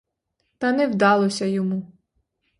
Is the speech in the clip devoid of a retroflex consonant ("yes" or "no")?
yes